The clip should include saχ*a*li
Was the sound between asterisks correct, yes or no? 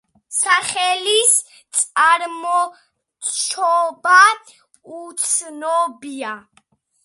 no